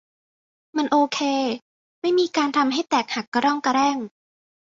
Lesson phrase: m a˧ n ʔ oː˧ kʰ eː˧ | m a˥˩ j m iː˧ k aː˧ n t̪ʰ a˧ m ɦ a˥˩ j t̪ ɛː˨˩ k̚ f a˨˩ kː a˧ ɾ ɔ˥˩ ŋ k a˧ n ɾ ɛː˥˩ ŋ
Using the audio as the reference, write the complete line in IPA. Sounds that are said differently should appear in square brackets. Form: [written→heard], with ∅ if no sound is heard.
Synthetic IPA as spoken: m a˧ n ʔ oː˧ kʰ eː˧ | m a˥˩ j m iː˧ k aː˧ n t̪ʰ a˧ m ɦ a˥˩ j t̪ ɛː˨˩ k̚ [f→h] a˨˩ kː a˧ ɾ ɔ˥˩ ŋ k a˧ [n→∅] ɾ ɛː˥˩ ŋ